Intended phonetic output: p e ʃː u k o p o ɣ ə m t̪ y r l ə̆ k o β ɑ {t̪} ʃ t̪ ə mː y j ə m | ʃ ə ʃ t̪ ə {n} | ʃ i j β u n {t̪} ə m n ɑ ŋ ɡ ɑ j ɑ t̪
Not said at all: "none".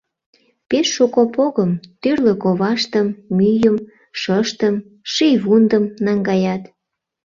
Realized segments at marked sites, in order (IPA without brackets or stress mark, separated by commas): none, m, d̪